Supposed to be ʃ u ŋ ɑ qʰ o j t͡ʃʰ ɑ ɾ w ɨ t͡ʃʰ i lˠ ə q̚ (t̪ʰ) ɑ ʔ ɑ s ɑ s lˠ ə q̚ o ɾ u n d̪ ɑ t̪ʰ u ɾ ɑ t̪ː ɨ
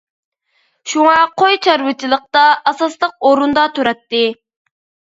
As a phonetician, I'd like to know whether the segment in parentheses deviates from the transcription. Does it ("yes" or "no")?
yes